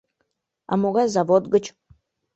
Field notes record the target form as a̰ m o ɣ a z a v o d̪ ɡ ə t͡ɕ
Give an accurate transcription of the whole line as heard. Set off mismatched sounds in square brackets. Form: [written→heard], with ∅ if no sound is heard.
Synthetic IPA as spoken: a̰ m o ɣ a z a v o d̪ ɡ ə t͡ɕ